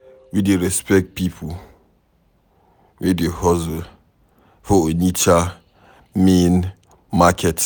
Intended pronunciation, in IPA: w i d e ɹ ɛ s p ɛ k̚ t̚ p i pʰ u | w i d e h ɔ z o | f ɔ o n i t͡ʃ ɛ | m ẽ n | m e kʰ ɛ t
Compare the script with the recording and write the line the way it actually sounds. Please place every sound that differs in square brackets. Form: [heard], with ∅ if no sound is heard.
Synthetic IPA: w i d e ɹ ɛ s p ɛ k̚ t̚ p i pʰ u | w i d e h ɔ z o | f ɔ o n i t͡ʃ [a] | m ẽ n | m [a] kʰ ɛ t